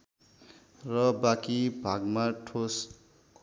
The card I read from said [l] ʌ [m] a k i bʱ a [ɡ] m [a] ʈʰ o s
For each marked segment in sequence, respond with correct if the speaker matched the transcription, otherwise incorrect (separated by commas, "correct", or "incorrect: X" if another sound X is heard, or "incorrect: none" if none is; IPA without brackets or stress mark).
incorrect: r, incorrect: b, correct, correct